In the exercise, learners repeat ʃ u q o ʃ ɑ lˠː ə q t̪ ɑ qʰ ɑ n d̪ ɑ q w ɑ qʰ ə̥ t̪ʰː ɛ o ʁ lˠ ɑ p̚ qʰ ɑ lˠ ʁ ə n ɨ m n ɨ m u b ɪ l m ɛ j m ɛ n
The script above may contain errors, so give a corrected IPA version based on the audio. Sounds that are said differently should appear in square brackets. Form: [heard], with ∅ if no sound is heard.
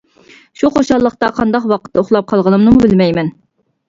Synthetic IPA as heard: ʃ u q o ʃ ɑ lˠː ə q t̪ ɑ qʰ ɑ n d̪ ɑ q w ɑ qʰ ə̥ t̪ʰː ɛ o [χ] lˠ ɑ p̚ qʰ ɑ lˠ ʁ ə n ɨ m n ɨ m u b ɪ l m ɛ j m ɛ n